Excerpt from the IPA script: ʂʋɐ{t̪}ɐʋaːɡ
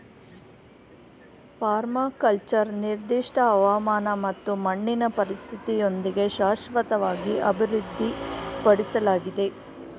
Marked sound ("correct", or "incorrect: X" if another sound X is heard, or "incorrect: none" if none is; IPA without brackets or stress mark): correct